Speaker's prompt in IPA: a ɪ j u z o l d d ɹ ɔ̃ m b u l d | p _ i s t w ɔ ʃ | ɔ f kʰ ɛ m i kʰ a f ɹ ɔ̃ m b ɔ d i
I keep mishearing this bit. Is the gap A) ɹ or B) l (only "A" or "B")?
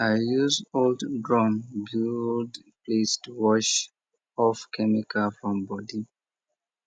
B